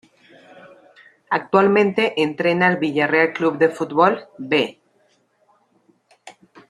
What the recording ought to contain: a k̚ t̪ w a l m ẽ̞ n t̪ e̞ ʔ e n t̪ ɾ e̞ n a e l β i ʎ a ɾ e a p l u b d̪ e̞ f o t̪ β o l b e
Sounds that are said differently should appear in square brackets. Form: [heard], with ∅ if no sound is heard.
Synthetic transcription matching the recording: a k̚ t̪ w a l m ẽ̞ n t̪ e̞ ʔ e n t̪ ɾ e̞ n a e l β i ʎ a [r] e a [k] l u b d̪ e̞ f [u] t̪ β o l b e